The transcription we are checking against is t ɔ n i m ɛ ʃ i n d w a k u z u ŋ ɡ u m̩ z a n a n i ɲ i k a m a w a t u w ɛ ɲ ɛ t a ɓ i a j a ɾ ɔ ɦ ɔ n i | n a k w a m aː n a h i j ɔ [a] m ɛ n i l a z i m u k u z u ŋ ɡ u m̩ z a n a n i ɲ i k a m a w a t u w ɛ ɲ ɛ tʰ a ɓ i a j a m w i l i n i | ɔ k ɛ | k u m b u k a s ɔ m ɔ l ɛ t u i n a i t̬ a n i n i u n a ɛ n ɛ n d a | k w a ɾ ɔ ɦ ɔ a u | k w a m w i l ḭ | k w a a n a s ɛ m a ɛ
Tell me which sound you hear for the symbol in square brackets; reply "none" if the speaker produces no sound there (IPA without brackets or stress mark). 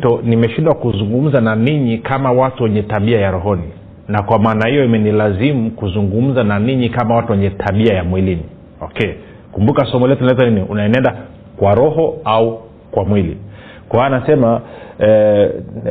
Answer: i